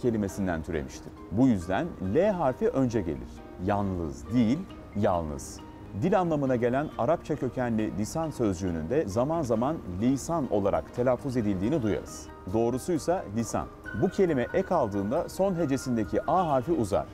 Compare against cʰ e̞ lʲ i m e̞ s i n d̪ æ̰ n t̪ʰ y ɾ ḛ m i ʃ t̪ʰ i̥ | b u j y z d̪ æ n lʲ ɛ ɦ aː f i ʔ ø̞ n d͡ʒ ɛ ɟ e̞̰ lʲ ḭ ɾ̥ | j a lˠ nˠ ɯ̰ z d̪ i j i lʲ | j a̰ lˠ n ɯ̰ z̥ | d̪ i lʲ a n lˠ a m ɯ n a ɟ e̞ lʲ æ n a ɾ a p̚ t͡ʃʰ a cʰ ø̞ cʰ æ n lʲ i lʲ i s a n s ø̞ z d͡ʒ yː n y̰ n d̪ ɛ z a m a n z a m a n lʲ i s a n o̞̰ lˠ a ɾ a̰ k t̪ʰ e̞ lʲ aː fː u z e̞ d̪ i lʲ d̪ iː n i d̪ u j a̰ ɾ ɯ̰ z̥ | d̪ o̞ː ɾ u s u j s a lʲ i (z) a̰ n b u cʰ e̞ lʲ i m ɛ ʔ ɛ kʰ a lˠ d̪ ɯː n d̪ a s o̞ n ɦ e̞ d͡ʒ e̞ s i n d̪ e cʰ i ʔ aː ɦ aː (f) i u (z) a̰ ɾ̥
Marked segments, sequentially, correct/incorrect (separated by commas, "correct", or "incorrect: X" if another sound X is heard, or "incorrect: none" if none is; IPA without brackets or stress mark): incorrect: s, correct, correct